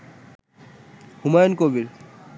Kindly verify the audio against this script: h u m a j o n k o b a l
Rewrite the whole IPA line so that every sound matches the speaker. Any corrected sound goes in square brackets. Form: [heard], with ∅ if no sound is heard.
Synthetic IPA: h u m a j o n k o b [i] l

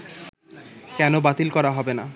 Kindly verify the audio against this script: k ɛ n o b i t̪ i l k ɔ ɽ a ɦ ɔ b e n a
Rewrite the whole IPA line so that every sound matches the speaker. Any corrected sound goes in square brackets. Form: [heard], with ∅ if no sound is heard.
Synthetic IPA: k ɛ n o b [a] t̪ i l k ɔ [ɾ] a ɦ ɔ b e n a

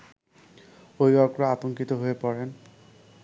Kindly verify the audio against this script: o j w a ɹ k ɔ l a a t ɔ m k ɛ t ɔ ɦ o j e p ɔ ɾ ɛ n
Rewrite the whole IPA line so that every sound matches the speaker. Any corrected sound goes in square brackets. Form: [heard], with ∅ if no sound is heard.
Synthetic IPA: o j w a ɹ k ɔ [ɹ] a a t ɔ [ŋ] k [i] t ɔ ɦ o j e p ɔ [ɹ] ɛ n

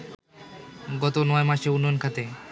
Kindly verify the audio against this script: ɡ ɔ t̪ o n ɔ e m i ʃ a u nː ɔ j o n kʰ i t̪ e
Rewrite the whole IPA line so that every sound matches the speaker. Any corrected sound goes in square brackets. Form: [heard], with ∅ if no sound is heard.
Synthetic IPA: ɡ ɔ t̪ o n ɔ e m [a] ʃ [e] u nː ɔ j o n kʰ [a] t̪ e

